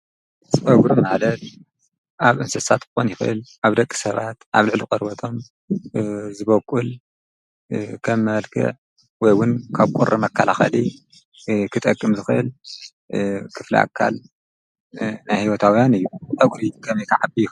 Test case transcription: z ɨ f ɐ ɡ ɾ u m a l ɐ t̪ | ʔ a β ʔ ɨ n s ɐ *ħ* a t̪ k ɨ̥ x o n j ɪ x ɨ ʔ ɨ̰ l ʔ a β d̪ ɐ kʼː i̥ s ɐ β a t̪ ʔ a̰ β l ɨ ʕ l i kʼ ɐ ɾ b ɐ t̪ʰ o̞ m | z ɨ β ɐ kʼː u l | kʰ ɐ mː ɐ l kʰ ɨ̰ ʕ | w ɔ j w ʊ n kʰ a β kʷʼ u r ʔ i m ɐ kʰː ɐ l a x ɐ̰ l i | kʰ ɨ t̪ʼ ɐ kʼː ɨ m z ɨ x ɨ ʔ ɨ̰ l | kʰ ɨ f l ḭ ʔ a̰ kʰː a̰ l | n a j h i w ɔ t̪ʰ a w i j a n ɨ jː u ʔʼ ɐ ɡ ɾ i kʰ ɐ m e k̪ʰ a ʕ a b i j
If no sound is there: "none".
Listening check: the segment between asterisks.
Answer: s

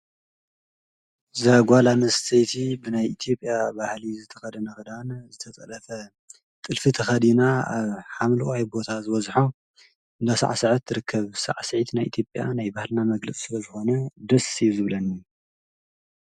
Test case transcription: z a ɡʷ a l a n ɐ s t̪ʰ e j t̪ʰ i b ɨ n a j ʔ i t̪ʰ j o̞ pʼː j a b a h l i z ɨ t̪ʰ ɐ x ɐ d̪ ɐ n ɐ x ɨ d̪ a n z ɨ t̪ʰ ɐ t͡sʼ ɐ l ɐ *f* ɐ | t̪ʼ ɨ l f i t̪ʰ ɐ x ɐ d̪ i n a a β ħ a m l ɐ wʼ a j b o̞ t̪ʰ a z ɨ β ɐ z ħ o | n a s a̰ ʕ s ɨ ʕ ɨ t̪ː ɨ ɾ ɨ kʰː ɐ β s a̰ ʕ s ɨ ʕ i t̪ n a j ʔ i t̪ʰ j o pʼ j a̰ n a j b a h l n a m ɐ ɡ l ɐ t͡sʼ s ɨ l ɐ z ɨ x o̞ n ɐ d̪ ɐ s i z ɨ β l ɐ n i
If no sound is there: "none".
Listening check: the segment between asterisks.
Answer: f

